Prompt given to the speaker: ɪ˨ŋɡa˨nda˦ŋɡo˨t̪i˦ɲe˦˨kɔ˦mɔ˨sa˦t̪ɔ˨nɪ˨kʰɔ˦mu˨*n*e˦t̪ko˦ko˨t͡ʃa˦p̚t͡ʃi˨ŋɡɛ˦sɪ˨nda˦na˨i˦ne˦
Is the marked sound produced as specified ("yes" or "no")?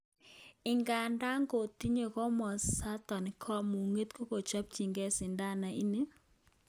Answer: no